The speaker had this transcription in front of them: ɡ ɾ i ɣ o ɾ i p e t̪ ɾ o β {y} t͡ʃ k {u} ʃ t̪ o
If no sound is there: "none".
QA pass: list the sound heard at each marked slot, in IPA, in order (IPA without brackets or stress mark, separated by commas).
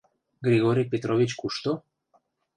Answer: i, u